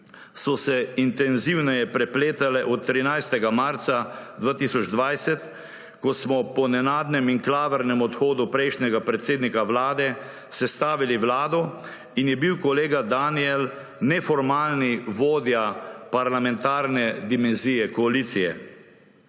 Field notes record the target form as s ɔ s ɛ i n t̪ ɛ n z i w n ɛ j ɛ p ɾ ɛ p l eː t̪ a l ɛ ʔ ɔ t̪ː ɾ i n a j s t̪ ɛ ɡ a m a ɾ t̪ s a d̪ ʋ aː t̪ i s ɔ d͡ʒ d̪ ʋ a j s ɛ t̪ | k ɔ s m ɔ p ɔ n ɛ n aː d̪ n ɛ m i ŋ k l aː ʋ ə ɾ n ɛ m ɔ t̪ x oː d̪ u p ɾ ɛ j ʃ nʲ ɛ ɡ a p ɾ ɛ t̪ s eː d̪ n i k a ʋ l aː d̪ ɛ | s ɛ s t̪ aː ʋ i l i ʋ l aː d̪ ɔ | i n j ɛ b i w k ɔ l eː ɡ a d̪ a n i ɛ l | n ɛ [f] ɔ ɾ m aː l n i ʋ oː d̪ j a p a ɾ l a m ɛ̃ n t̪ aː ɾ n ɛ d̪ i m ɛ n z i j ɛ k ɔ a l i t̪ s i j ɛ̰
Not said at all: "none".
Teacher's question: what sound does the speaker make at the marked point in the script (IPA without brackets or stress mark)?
f